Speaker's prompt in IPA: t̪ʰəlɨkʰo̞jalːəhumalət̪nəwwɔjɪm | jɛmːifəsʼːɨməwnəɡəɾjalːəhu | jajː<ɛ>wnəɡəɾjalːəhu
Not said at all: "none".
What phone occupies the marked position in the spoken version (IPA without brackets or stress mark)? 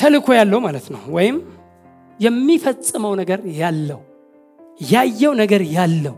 ɛ